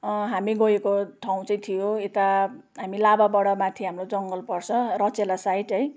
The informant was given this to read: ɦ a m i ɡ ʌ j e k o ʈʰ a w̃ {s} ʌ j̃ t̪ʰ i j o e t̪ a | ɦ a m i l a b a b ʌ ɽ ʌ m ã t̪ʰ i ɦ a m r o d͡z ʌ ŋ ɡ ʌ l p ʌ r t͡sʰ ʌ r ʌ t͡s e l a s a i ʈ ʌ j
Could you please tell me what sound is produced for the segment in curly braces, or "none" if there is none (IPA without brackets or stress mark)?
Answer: t͡s